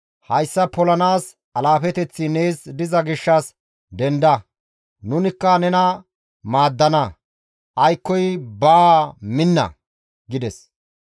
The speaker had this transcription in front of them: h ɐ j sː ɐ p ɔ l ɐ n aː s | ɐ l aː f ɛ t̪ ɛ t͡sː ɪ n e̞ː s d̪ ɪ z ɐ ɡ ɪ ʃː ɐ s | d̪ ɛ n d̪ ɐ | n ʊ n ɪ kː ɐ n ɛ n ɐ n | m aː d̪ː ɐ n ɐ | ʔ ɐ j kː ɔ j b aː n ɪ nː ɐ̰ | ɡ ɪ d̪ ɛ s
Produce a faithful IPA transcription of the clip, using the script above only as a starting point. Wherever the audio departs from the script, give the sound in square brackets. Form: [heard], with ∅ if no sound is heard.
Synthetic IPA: h ɐ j sː ɐ p ɔ l ɐ n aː s | ɐ l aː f ɛ t̪ ɛ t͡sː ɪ n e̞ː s d̪ ɪ z ɐ ɡ ɪ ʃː ɐ s | d̪ ɛ n d̪ ɐ | n ʊ n ɪ kː ɐ n ɛ n ɐ [∅] | m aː d̪ː ɐ n ɐ | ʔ ɐ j kː ɔ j b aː [m] ɪ nː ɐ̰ | ɡ ɪ d̪ ɛ s